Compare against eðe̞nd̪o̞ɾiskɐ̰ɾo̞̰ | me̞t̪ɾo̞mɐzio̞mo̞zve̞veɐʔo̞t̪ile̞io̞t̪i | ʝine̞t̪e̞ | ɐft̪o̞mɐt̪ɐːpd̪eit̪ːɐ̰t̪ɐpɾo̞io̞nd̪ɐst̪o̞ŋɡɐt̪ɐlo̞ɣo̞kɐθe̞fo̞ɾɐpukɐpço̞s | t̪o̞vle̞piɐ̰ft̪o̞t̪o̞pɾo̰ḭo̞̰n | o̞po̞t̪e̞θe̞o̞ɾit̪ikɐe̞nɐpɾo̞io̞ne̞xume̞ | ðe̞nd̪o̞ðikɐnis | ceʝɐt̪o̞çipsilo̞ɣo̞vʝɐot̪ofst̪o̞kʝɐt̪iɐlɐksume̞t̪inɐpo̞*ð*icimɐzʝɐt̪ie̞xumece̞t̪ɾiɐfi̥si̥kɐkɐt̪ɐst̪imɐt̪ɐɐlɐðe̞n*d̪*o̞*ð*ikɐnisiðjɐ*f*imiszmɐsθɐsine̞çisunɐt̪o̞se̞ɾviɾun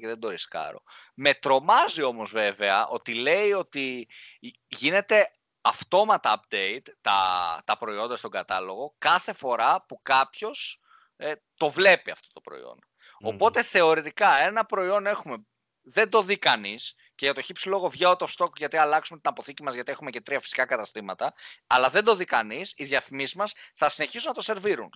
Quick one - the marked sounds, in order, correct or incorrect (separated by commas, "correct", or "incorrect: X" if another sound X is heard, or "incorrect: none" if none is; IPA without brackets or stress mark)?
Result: incorrect: θ, correct, correct, incorrect: θ